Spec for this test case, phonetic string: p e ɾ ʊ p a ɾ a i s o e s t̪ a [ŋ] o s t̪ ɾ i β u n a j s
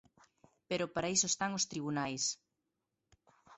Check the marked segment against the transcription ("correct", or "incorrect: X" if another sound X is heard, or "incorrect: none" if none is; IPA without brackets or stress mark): correct